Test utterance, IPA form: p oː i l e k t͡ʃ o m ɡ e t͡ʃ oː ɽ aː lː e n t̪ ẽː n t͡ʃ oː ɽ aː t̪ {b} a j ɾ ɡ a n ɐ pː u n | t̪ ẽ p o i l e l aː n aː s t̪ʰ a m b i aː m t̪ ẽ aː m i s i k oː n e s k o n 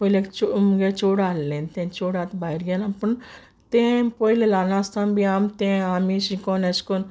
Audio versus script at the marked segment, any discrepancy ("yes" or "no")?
no